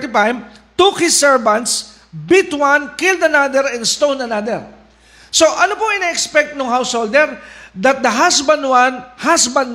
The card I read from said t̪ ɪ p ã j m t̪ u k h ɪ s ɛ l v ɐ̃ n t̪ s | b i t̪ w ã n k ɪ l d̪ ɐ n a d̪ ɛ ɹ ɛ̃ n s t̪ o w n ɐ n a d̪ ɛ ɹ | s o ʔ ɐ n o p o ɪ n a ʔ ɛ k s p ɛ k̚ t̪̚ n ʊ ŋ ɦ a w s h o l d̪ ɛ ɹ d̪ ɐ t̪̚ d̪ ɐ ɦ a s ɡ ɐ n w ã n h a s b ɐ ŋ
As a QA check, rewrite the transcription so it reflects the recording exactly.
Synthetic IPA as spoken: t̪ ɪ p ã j m t̪ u k h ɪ s ɛ ɹ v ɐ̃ n t̪ s | b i t̪ w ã n k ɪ l d̪ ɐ n a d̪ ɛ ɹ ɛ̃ n s t̪ o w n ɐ n a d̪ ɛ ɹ | s o ʔ ɐ n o p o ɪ n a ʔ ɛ k s p ɛ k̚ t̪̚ n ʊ ŋ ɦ a w s h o l d̪ ɛ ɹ d̪ ɐ t̪̚ d̪ ɐ ɦ a s b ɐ n w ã n h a s b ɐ n